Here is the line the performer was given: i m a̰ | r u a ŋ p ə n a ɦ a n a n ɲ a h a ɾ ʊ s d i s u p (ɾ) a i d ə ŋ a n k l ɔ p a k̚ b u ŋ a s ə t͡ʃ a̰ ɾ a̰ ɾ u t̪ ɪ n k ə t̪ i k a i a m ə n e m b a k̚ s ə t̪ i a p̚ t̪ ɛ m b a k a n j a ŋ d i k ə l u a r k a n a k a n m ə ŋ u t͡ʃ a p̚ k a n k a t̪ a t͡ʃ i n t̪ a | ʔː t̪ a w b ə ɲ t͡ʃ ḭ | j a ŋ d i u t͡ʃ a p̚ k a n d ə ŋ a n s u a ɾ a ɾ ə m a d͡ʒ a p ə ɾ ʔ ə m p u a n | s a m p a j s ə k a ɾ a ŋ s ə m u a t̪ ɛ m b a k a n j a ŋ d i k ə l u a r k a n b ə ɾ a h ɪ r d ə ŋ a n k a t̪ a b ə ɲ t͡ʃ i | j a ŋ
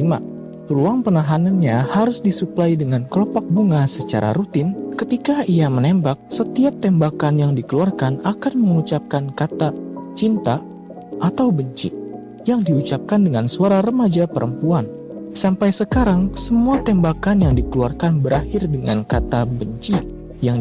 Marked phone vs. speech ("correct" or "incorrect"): incorrect